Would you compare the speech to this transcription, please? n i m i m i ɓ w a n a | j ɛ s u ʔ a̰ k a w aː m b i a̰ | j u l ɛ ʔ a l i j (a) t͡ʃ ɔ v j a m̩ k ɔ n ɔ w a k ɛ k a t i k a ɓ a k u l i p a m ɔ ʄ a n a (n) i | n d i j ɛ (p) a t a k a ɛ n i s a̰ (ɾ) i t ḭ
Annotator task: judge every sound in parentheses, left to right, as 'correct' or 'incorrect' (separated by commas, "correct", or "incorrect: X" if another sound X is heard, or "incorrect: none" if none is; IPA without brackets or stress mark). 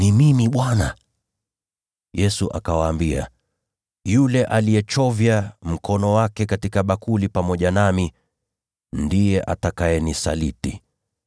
incorrect: ɛ, incorrect: m, incorrect: ʔ, incorrect: l